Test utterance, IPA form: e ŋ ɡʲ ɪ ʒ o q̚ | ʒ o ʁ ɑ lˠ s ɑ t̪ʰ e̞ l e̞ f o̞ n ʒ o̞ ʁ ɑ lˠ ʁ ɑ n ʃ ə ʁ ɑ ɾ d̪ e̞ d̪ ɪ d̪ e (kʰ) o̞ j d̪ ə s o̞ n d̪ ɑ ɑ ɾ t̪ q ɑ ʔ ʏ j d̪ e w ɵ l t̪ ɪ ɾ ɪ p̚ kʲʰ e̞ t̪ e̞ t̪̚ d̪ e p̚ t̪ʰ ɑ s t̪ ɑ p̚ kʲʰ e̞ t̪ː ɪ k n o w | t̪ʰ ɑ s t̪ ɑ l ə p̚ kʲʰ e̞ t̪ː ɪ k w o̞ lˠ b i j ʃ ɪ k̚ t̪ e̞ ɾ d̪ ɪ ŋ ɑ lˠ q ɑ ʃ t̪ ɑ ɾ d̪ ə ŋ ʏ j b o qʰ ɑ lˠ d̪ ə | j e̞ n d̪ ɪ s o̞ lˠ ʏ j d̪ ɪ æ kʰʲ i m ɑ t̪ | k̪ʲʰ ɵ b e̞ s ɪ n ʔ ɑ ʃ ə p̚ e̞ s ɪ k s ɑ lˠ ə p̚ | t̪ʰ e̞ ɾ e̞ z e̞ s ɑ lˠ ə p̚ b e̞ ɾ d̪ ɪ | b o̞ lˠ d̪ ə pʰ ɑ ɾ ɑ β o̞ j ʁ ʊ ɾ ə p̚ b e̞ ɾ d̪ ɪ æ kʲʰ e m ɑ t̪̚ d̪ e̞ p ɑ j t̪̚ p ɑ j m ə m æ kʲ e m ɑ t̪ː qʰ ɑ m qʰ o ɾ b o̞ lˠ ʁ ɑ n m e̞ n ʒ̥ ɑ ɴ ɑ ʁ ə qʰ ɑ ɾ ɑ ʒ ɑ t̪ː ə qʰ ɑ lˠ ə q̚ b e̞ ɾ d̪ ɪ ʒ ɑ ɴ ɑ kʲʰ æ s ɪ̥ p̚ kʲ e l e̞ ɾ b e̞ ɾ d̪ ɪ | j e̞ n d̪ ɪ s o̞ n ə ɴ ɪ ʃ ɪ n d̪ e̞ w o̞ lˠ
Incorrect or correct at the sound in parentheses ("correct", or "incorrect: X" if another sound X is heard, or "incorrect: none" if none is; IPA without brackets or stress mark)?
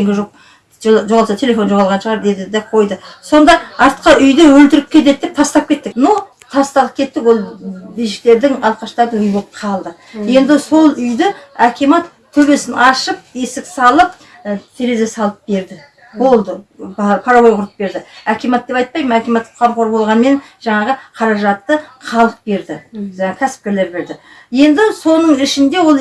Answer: incorrect: qʰ